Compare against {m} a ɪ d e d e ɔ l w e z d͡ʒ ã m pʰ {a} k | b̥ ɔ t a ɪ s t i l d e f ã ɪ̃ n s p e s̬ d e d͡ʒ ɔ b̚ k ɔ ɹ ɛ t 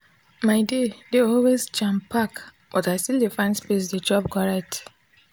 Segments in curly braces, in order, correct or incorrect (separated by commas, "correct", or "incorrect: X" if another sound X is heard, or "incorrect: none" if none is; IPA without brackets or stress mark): correct, correct